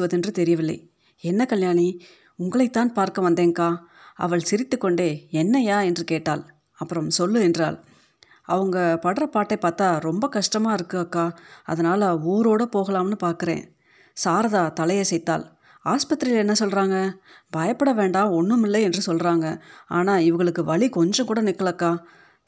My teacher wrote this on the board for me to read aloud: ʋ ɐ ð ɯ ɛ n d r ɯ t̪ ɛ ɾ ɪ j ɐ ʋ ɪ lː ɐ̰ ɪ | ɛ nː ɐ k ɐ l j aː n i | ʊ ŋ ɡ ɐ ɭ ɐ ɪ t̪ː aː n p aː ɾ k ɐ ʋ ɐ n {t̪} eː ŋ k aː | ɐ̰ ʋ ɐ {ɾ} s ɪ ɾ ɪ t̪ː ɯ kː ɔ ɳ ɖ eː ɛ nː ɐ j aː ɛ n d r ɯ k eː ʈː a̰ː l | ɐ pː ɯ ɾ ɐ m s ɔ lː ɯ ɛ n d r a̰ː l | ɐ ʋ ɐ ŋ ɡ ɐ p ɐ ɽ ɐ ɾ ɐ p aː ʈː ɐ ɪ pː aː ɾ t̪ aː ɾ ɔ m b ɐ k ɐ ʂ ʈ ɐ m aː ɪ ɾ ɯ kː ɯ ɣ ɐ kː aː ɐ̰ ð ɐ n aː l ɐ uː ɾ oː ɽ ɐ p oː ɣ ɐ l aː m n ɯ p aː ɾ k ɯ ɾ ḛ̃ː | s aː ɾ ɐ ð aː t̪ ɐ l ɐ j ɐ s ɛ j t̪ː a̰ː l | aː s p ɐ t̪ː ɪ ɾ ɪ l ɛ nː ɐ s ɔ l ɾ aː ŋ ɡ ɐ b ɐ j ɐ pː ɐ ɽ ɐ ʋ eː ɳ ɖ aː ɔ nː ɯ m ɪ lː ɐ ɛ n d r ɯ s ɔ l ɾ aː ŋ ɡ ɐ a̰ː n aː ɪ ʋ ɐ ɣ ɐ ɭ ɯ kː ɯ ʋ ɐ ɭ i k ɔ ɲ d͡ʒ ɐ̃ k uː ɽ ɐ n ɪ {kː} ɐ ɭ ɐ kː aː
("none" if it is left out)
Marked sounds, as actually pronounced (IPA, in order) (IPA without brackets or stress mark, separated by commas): d̪, ɭ, kː